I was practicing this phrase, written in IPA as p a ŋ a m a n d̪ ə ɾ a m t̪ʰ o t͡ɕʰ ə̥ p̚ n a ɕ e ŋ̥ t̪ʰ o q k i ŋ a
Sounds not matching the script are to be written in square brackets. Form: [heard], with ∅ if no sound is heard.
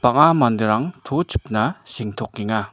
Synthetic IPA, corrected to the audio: p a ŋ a m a n d̪ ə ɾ a [ŋ] t̪ʰ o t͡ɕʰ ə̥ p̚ n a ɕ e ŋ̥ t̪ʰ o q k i ŋ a